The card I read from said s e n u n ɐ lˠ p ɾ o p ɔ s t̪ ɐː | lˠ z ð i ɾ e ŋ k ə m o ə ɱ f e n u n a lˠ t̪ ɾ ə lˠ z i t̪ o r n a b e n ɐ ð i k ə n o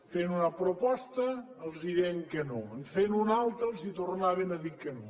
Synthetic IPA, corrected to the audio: f e n u n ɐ p ɾ o p ɔ s t̪ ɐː | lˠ z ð i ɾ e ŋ k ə n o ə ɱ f e n u n a lˠ t̪ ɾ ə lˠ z i t̪ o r n a β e n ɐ ð i k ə n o